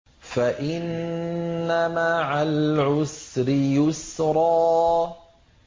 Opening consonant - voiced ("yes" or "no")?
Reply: no